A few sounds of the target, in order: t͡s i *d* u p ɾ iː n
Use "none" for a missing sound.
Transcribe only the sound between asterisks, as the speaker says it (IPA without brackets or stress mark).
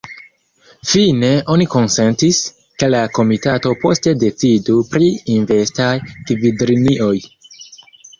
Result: d